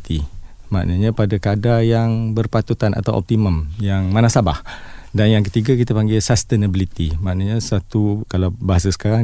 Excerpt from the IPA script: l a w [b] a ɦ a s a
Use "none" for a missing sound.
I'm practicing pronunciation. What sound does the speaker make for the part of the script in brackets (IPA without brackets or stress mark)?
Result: b